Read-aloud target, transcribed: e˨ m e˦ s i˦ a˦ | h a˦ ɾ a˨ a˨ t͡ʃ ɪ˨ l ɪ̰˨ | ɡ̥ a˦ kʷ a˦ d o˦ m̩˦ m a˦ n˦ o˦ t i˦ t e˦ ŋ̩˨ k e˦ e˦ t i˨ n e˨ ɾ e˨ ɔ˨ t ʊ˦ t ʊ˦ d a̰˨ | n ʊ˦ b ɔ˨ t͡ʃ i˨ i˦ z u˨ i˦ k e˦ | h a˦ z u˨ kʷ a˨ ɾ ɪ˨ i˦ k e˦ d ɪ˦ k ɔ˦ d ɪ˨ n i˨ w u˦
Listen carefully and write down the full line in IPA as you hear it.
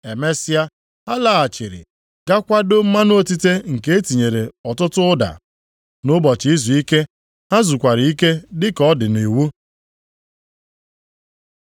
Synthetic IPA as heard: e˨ m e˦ s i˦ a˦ | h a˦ l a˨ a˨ t͡ʃ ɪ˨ ɾ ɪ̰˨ | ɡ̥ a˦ kʷ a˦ d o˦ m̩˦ m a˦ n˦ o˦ t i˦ t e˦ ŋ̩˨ k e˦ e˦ t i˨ ɲ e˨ ɾ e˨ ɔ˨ t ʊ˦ t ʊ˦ d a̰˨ | n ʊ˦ b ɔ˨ t͡ʃ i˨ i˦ z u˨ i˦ k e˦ | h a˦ z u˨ kʷ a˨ ɾ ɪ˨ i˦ k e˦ d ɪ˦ k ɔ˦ d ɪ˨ n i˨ w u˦